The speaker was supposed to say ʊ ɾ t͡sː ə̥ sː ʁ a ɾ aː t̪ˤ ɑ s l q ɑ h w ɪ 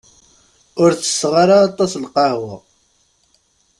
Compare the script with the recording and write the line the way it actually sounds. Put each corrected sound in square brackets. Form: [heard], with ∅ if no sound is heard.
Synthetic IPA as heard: ʊ ɾ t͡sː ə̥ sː ʁ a ɾ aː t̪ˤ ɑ s l q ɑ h w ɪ